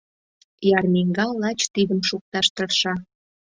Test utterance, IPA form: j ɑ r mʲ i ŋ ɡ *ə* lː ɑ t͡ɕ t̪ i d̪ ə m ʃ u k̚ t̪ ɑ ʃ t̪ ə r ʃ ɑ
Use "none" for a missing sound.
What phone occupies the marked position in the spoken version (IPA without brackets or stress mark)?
ɑ